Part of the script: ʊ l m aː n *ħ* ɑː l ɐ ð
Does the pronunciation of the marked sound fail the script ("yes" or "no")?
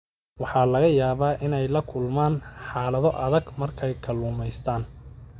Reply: no